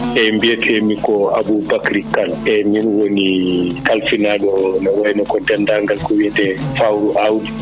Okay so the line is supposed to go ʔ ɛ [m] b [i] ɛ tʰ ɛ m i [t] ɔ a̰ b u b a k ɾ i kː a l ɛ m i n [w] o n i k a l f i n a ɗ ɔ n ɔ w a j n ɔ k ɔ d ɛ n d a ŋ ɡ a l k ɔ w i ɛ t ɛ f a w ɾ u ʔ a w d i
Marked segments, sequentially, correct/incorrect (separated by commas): correct, correct, incorrect, correct